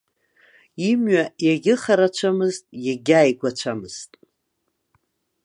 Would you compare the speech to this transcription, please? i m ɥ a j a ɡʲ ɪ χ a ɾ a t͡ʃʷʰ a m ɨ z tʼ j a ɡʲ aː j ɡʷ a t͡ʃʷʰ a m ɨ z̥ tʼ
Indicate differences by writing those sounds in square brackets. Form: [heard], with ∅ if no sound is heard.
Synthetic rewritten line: i m ɥ a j a ɡʲ ɪ χ a ɾ a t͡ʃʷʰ a m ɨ z tʼ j a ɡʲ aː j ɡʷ a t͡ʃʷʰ a m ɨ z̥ tʼ